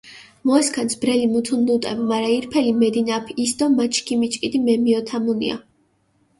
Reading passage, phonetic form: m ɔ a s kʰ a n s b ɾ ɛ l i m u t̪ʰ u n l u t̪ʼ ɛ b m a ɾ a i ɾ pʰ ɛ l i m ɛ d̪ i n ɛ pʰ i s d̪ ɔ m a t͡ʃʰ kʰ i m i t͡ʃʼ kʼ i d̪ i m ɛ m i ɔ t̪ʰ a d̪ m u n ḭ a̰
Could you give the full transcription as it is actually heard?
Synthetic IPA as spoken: m ɔ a s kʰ a n s b ɾ ɛ l i m u t̪ʰ u n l u t̪ʼ ɛ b m a ɾ a i ɾ pʰ ɛ l i m ɛ d̪ i n a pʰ i s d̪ ɔ m a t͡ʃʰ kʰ i m i t͡ʃʼ kʼ i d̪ i m ɛ m i ɔ t̪ʰ a m u n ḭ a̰